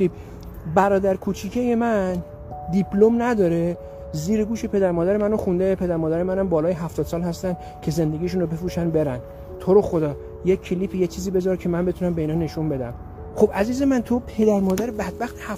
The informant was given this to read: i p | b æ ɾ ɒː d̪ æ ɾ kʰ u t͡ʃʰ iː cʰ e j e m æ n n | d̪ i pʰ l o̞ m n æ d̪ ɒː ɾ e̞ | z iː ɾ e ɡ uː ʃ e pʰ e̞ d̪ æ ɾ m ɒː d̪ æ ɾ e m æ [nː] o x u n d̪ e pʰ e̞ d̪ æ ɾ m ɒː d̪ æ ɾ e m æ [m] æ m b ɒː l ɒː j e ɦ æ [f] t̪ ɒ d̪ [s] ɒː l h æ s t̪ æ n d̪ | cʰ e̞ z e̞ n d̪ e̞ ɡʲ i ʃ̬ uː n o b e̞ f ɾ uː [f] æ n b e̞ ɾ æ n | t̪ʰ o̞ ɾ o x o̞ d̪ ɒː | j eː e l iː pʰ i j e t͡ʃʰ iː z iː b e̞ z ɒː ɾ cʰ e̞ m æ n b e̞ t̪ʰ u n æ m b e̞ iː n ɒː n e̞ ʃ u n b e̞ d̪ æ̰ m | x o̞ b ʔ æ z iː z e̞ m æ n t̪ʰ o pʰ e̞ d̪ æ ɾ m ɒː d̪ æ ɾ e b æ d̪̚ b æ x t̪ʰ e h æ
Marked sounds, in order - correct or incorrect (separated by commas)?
incorrect, incorrect, correct, correct, incorrect